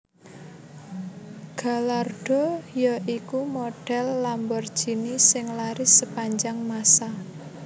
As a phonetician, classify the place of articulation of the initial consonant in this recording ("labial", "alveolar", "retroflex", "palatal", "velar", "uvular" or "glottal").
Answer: velar